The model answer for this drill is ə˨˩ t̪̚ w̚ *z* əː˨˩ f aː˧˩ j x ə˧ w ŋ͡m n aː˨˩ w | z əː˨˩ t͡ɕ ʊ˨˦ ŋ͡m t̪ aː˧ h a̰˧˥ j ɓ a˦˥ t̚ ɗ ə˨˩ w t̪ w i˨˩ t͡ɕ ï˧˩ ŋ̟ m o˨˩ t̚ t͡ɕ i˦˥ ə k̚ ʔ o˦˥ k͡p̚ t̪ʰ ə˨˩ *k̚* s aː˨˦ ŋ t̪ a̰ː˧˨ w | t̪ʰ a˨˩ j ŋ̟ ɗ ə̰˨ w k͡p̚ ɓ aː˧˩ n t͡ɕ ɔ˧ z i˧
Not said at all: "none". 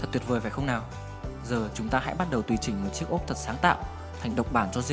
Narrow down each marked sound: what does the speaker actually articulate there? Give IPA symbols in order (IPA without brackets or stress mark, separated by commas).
v, t̚